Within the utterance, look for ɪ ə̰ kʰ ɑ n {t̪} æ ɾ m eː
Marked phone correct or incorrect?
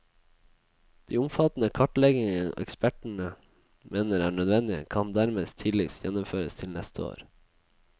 incorrect